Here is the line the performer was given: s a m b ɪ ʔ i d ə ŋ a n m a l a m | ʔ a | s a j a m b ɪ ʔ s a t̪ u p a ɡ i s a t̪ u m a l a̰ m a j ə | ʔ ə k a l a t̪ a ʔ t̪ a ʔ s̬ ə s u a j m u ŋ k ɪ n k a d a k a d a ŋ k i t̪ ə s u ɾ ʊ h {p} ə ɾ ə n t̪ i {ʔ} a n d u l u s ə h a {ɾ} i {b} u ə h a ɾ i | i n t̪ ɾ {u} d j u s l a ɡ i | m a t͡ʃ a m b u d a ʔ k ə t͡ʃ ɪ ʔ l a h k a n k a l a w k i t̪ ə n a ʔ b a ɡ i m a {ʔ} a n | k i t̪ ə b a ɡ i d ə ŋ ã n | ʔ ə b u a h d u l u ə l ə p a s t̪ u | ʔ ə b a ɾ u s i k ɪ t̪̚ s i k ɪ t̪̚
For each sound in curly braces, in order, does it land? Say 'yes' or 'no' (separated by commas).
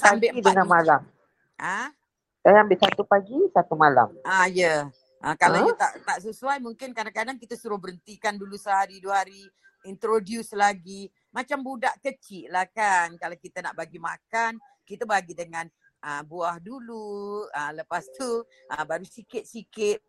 no, no, yes, no, no, no